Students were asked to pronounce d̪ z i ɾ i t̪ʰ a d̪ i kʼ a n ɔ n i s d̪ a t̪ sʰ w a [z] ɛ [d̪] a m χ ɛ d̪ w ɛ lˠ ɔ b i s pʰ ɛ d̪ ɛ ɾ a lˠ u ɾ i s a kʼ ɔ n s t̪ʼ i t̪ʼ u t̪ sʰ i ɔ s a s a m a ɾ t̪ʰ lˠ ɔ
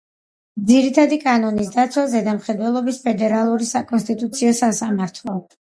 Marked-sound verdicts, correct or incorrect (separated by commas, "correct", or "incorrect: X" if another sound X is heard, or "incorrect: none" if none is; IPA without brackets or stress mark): correct, correct